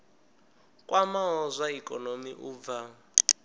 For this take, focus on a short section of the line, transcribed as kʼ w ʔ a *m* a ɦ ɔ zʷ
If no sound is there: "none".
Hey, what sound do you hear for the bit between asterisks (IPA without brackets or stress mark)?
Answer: m